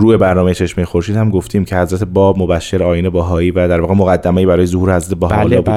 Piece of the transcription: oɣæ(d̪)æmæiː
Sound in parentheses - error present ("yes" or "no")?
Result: yes